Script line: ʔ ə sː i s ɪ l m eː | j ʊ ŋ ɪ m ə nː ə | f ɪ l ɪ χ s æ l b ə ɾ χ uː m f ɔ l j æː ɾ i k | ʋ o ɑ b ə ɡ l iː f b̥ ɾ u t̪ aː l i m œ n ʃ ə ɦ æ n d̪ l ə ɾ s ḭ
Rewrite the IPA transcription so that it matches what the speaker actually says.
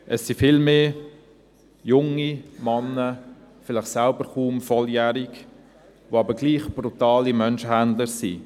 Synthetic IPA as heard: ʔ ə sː i f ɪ l m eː | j ʊ ŋ i m ɑ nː ə | f ɪ l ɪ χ s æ l b ə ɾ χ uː m f ɔ l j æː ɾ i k | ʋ o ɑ b ə ɡ l iː χ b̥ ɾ u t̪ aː l i m œ n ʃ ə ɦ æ n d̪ l ə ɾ s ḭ